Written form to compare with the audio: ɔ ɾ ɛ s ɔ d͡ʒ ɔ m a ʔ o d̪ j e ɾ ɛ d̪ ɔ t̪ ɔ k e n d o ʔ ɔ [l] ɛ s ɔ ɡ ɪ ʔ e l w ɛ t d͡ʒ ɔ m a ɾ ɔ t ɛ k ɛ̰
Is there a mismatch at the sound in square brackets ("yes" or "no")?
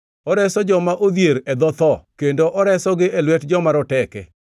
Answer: yes